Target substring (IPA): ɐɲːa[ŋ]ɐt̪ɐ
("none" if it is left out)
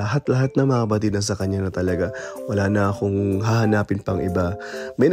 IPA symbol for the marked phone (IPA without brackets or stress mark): n